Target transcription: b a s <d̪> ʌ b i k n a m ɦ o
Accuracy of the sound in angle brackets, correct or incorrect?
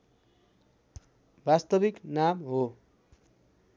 incorrect